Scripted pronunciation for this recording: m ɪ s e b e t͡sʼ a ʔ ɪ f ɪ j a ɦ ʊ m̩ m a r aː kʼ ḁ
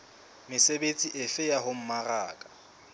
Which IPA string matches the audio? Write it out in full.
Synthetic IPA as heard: m ɪ s e b e t͡sʼ i ʔ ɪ f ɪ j a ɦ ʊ m̩ m a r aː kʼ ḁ